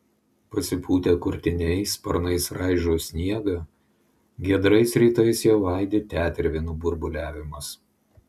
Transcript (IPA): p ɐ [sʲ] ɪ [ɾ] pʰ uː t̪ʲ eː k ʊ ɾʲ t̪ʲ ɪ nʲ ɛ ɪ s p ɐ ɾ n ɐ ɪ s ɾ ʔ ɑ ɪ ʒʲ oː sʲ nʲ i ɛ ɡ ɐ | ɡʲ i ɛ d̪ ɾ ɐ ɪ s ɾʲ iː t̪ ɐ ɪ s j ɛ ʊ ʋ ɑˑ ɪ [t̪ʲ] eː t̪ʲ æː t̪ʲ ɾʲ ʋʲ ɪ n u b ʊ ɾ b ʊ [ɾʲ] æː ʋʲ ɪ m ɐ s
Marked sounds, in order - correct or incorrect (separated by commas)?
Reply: correct, incorrect, incorrect, incorrect